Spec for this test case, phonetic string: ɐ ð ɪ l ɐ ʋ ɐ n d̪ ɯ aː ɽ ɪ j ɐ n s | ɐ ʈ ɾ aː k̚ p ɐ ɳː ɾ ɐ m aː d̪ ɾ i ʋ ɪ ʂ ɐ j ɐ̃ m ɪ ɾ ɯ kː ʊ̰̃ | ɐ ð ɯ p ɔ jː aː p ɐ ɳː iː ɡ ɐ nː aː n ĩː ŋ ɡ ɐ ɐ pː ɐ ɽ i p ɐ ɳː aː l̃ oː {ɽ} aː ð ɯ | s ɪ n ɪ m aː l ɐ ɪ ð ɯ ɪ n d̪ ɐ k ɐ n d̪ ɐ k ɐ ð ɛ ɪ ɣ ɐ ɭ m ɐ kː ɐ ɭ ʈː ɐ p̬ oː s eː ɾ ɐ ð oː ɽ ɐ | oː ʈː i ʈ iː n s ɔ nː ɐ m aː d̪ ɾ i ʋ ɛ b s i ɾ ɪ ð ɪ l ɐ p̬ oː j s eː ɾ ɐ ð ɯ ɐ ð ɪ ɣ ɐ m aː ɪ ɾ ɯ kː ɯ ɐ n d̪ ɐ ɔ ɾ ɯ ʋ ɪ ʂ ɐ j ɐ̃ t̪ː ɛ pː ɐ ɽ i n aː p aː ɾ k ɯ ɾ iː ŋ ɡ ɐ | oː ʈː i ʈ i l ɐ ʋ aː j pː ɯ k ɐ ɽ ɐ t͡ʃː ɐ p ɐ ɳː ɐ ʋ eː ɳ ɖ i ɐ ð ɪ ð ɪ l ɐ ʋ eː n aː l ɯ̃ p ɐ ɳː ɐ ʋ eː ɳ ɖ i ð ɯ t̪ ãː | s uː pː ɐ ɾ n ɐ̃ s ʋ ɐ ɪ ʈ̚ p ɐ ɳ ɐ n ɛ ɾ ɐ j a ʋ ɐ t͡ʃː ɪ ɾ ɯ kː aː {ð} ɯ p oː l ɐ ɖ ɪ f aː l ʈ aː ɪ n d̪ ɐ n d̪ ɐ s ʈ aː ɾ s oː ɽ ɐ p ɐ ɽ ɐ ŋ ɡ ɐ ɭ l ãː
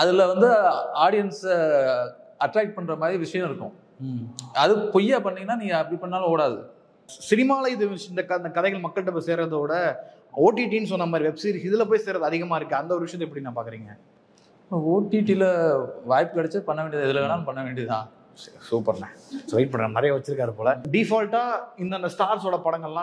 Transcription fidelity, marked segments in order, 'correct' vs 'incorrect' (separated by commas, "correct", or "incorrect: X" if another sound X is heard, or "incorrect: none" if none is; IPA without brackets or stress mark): correct, correct